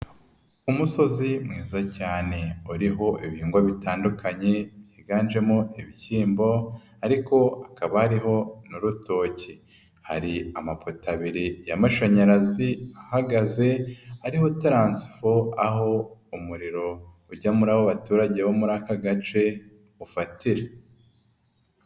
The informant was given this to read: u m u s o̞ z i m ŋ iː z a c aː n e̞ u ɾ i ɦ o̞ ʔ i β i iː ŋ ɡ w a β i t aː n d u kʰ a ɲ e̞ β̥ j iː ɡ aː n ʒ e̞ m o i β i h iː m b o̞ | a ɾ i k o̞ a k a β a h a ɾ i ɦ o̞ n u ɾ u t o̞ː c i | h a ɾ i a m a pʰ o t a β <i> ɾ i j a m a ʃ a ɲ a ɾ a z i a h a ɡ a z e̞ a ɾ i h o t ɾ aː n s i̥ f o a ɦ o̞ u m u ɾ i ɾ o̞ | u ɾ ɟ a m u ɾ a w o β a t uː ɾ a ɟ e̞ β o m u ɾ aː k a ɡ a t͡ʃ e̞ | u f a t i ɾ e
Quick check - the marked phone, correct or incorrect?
correct